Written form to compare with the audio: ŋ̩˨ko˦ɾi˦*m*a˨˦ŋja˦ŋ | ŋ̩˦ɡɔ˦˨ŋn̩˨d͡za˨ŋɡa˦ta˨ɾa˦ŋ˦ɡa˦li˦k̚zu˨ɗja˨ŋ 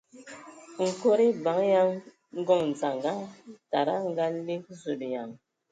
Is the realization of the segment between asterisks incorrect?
yes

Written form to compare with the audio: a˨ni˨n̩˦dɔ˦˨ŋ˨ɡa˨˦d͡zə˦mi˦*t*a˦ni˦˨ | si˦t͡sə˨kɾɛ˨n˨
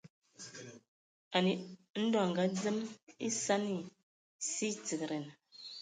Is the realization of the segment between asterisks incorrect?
yes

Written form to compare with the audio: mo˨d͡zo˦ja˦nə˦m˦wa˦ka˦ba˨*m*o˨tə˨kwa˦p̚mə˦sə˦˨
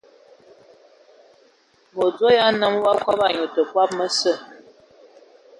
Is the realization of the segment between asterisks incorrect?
yes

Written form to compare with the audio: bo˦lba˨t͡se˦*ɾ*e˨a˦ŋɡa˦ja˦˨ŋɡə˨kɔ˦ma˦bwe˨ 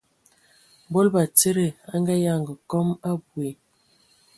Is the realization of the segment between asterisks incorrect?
no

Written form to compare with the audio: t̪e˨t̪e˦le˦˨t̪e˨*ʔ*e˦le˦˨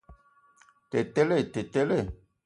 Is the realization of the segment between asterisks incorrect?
yes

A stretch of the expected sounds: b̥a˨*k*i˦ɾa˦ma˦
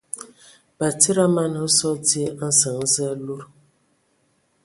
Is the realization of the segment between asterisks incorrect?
yes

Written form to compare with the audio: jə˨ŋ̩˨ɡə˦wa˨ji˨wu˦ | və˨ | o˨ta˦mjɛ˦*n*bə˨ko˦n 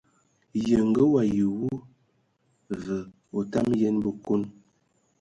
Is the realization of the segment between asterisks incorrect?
no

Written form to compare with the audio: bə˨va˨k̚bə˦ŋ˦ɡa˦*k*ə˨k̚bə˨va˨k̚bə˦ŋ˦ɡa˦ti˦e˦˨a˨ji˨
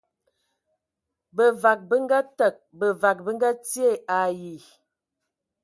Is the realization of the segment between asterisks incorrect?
yes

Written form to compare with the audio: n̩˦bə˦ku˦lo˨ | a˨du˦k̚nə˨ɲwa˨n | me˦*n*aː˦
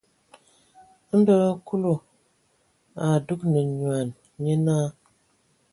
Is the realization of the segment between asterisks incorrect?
no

